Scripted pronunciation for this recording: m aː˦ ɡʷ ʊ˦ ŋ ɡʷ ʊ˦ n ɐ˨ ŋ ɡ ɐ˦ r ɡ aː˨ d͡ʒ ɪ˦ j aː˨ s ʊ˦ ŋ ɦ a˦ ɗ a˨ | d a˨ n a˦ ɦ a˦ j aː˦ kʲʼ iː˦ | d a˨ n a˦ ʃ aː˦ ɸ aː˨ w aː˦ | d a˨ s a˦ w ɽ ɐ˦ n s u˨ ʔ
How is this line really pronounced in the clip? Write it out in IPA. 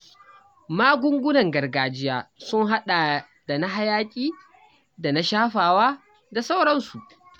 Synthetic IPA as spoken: m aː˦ ɡʷ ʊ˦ ŋ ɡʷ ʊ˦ n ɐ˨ ŋ ɡ ɐ˨ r ɡ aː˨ d͡ʒ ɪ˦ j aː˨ s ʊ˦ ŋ ɦ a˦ ɗ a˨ | d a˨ n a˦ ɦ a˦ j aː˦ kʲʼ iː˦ | d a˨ n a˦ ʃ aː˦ ɸ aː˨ w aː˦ | d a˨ s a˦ w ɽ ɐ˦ n s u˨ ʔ